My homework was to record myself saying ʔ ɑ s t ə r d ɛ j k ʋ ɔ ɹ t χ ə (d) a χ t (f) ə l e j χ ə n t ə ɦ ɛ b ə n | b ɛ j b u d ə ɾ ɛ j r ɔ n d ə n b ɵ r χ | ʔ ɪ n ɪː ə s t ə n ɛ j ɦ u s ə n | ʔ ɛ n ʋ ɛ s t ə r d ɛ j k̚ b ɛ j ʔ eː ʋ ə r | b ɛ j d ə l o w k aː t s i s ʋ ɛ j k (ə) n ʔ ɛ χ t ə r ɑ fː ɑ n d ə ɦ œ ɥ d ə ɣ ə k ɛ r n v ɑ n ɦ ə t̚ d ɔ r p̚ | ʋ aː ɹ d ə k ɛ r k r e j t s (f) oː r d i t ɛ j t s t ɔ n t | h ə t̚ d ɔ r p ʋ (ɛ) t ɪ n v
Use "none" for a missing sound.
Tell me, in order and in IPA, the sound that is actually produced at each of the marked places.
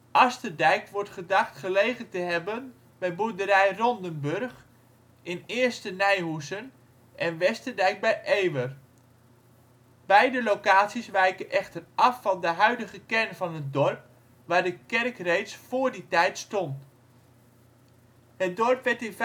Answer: d, χ, ə, f, ɛ

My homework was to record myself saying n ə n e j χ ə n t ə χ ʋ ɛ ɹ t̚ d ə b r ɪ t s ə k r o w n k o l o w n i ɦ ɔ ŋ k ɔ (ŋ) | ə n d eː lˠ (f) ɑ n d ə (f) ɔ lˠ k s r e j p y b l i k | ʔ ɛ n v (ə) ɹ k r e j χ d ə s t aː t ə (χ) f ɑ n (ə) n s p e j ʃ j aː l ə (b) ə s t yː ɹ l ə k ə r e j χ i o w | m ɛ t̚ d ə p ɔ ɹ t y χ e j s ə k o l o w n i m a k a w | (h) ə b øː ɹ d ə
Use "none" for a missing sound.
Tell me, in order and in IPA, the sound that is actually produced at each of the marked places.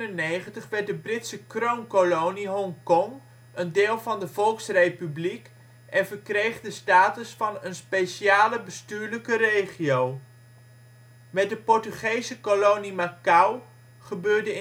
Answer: ŋ, v, v, ə, s, ə, b, χ

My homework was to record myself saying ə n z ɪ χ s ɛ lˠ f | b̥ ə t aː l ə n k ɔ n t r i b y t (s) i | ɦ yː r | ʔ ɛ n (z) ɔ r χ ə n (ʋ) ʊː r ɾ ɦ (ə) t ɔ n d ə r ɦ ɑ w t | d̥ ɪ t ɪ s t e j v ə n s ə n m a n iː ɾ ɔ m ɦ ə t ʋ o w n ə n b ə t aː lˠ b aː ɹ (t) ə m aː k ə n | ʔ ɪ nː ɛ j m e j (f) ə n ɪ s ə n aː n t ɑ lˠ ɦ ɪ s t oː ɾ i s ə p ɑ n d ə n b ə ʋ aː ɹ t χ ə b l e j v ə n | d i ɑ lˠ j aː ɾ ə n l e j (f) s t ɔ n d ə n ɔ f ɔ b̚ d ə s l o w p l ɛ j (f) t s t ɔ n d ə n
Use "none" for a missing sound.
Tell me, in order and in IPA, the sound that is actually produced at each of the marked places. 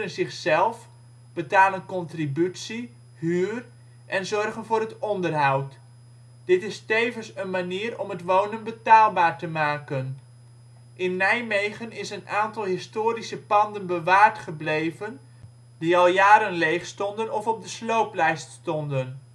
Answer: s, z, v, ə, t, χ, χ, s

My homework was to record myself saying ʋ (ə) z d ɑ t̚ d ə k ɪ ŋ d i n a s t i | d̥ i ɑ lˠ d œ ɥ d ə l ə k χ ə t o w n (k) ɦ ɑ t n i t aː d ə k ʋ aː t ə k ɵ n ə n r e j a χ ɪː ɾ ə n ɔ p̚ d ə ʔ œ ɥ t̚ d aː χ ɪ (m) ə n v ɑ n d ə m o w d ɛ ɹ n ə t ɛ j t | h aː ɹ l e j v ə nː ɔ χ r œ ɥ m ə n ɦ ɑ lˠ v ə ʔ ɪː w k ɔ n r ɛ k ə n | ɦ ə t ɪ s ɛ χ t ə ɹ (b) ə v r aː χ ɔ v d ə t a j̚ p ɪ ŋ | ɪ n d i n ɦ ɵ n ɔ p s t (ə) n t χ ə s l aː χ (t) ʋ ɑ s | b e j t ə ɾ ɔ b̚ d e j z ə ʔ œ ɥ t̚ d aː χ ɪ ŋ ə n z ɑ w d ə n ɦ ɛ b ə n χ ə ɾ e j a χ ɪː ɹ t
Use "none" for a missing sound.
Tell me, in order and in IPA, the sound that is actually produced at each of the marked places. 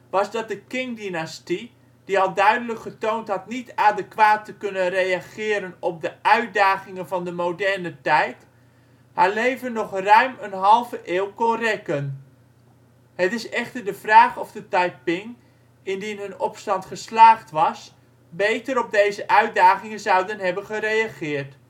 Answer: ɑ, t, ŋ, d, ɑ, t

